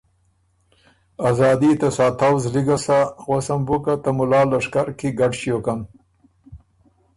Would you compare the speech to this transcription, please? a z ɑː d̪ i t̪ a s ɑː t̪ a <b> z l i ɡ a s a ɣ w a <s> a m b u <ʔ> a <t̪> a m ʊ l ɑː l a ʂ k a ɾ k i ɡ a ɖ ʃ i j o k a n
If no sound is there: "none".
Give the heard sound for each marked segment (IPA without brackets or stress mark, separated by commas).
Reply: w, s, k, t̪